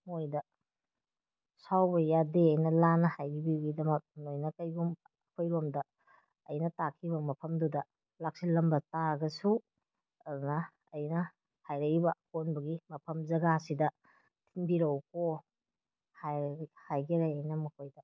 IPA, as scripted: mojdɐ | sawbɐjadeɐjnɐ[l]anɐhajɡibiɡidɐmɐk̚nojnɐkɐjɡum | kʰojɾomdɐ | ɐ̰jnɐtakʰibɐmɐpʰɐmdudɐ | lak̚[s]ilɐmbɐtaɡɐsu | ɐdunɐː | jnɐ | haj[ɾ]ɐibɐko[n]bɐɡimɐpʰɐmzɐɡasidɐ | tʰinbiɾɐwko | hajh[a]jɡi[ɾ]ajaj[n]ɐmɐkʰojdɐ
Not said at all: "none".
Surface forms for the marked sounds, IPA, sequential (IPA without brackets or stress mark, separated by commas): l, s, ɾ, n, a, ɾ, n